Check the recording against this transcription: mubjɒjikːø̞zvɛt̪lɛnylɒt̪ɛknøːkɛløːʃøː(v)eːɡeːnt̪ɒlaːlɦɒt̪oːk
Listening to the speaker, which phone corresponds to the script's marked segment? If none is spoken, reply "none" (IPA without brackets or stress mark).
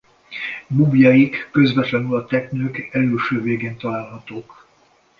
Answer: v